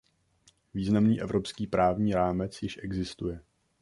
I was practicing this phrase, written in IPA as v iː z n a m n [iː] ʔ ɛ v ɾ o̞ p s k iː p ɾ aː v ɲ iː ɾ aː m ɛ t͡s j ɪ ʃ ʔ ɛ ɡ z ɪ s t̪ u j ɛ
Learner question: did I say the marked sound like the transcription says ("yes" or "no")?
yes